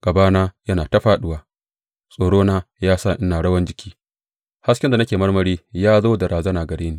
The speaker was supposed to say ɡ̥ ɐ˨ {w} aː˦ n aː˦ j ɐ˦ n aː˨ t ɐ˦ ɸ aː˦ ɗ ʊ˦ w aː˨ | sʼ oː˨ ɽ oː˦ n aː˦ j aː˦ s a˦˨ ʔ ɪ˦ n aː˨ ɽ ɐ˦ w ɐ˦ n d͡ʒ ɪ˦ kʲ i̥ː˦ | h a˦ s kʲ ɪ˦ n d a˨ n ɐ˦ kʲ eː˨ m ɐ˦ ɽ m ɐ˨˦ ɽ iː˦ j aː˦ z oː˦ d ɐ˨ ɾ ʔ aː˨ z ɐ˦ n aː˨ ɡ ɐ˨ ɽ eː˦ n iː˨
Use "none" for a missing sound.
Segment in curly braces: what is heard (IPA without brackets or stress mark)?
b